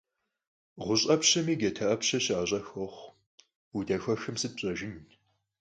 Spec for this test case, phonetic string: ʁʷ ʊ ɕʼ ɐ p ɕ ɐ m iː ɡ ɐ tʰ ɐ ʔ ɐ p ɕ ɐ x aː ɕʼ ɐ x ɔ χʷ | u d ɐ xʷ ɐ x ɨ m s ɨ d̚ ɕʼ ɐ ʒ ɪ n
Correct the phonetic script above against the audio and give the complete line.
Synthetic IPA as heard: ʁʷ ʊ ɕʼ ɐ p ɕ ɐ m iː ɡ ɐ tʰ ɐ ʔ ɐ p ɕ ɐ ɕ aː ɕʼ ɐ x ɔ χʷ | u d ɐ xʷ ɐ x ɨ m s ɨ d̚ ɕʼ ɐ ʒ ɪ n